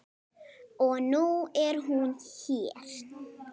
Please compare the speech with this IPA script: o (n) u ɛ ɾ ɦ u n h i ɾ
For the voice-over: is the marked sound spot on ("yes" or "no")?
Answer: yes